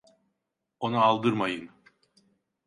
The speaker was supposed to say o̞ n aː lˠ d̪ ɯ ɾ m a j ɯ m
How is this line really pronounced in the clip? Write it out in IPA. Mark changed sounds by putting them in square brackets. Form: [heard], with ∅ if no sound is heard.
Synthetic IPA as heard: o̞ n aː lˠ d̪ ɯ ɾ m a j ɯ [n]